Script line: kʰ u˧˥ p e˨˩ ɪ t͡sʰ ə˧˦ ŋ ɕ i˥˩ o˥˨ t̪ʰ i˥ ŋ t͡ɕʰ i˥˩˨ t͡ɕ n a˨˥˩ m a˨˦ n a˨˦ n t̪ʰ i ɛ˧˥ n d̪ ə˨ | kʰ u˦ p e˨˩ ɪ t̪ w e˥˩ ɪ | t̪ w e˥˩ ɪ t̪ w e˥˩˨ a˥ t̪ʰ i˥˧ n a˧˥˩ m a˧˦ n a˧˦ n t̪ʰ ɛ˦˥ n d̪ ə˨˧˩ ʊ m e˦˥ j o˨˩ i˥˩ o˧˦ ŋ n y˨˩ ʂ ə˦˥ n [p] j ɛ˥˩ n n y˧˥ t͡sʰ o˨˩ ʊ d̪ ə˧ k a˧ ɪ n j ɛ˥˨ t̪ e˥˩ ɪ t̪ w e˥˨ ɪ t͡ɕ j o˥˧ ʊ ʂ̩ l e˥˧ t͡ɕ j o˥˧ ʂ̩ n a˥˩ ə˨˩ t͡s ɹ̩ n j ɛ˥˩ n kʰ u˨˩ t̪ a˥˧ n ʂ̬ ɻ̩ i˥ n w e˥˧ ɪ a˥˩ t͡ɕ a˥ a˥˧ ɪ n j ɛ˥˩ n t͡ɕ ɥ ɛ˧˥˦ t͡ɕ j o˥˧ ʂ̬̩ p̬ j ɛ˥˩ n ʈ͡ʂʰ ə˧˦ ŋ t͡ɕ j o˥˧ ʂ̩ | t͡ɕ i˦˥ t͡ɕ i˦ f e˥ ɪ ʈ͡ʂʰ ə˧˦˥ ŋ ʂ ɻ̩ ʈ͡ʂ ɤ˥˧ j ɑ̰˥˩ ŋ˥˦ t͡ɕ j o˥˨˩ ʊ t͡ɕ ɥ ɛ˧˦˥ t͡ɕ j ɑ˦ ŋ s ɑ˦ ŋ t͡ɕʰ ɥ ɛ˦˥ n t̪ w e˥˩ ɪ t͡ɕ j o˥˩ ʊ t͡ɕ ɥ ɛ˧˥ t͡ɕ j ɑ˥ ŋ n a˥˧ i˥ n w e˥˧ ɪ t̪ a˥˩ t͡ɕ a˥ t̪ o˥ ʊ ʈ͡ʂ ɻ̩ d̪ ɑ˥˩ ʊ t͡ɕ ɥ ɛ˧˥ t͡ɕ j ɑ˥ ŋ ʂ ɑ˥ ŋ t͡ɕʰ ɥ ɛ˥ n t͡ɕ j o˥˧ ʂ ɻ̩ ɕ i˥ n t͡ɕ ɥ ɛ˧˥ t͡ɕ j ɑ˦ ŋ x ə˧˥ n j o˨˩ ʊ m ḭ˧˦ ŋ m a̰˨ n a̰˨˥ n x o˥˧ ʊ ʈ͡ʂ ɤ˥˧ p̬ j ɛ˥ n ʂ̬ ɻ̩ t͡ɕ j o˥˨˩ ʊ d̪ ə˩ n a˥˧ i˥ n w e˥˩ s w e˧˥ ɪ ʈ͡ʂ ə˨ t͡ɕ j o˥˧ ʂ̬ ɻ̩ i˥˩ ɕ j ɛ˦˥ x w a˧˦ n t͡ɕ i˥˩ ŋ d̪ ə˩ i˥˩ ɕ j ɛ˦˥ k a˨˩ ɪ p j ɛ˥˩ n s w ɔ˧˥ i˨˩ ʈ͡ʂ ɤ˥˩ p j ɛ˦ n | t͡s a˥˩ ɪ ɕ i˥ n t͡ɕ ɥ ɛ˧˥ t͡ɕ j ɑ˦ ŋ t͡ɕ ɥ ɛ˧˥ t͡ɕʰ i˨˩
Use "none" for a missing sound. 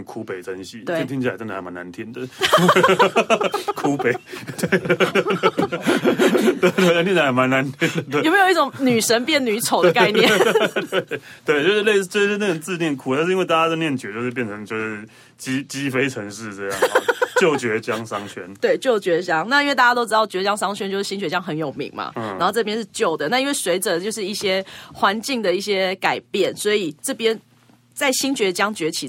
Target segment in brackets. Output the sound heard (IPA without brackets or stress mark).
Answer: p